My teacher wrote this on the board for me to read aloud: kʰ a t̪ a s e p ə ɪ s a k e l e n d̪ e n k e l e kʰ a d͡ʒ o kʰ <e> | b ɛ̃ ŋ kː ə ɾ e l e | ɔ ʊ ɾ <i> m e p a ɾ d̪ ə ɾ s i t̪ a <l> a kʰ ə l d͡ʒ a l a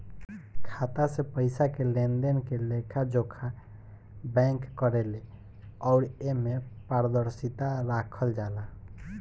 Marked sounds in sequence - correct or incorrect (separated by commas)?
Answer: incorrect, incorrect, incorrect